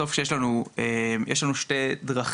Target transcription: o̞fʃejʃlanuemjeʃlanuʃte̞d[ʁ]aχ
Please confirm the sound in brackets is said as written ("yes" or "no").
yes